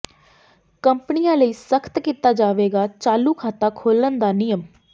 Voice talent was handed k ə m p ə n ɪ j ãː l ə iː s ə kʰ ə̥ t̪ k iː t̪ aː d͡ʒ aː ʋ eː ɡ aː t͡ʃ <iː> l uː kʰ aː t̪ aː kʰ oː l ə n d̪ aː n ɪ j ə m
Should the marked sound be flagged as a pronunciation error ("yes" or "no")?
yes